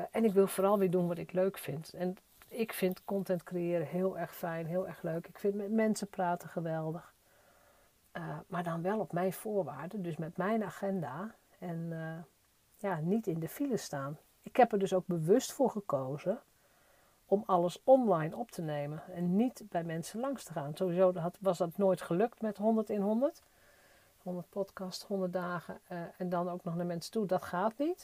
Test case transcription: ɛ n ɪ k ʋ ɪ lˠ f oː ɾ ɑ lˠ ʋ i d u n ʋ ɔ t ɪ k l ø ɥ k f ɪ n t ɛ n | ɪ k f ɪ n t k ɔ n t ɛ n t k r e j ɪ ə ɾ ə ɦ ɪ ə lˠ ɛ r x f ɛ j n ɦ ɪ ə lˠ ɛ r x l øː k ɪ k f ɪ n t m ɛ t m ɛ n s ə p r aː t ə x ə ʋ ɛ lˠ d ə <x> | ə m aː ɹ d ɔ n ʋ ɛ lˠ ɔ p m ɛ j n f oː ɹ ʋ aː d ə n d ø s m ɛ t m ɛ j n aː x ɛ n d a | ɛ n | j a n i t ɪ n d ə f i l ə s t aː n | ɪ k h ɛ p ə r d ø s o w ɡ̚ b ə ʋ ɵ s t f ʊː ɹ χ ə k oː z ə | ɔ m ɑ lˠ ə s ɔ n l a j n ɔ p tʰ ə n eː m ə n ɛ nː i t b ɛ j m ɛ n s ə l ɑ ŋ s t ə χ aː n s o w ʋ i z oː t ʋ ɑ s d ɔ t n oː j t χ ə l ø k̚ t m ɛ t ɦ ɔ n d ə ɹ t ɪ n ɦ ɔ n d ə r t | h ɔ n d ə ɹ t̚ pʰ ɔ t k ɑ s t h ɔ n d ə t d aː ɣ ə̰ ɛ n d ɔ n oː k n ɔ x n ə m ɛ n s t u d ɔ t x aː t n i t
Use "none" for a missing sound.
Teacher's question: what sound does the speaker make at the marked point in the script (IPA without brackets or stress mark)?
x